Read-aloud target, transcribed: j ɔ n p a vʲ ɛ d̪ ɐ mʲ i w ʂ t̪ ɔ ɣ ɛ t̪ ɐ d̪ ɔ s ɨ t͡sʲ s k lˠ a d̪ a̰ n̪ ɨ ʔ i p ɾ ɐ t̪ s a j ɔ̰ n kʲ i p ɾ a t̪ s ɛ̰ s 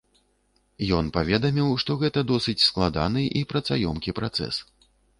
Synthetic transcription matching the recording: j ɔ n p a vʲ ɛ d̪ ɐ mʲ i w ʂ t̪ ɔ ɣ ɛ t̪ ɐ d̪ ɔ s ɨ t͡sʲ s k lˠ a d̪ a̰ n̪ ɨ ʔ i p ɾ ɐ t̪ s a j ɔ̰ m kʲ i p ɾ a t̪ s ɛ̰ s

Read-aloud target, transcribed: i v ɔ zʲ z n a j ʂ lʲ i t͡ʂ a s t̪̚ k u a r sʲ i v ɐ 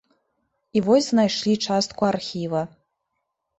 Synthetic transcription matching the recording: i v ɔ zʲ z n a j ʂ lʲ i t͡ʂ a s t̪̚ k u a r xʲ i v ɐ

